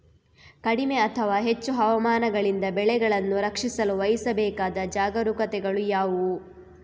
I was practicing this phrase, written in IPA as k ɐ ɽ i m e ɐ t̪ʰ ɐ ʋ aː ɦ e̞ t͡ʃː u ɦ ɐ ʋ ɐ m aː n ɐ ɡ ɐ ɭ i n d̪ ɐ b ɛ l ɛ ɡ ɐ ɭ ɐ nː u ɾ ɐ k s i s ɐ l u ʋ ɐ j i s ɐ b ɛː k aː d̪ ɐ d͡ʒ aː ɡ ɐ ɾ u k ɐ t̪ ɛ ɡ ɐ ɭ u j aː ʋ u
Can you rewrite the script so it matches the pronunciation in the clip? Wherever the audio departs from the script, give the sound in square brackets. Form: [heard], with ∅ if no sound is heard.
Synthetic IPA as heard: k ɐ ɽ i m e ɐ t̪ʰ ɐ ʋ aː ɦ e̞ t͡ʃː u ɦ ɐ ʋ ɐ m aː n ɐ ɡ ɐ ɭ i n d̪ ɐ b ɛ [ɭ] ɛ ɡ ɐ ɭ ɐ nː u ɾ ɐ k [ʂ] i s ɐ l u ʋ ɐ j i s ɐ b ɛː k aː d̪ ɐ d͡ʒ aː ɡ ɐ ɾ u k ɐ t̪ ɛ ɡ ɐ ɭ u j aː ʋ u